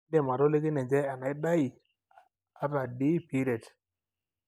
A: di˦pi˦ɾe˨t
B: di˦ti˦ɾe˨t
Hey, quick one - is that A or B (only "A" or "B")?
A